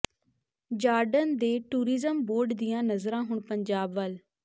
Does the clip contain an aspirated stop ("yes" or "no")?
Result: no